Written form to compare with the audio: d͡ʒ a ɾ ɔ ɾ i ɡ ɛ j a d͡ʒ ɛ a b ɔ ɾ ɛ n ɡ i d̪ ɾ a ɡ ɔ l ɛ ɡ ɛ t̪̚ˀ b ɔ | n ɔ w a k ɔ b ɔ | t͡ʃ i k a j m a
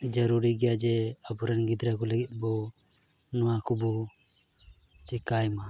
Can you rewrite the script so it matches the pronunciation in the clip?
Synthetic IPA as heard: d͡ʒ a ɾ u ɾ i ɡ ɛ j a d͡ʒ ɛ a b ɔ ɾ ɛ n ɡ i d̪ ɾ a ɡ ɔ l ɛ ɡ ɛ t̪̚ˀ b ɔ | n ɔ w a k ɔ b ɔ | t͡ʃ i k a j m a